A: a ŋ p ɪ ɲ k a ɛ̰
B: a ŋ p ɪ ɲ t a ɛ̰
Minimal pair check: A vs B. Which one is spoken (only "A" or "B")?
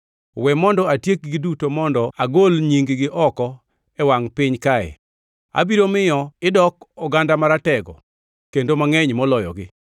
A